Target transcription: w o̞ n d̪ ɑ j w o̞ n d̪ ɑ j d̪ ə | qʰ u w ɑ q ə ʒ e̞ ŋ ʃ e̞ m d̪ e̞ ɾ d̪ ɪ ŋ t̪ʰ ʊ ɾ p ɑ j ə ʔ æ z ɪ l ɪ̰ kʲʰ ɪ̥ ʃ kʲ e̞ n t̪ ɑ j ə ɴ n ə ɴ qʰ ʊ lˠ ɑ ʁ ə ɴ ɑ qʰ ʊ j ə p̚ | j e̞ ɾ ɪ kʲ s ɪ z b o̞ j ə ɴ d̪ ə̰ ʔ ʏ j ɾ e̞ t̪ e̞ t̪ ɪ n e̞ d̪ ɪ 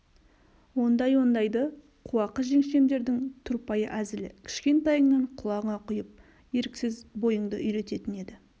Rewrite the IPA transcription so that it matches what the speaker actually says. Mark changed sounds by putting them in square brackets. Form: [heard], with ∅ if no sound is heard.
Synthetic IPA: w o̞ n d̪ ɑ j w o̞ n d̪ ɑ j d̪ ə | qʰ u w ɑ q ə ʒ e̞ ŋ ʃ e̞ m d̪ e̞ ɾ d̪ ɪ ŋ t̪ʰ ʊ ɾ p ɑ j ə ʔ æ z ɪ l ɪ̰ kʲʰ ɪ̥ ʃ kʲ e̞ n t̪ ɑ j ə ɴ n [ɑ] ɴ qʰ ʊ lˠ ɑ ʁ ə ɴ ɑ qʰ ʊ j ə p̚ | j e̞ ɾ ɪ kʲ s ɪ z b o̞ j ə ɴ d̪ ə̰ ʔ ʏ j ɾ e̞ t̪ e̞ t̪ ɪ n e̞ d̪ ɪ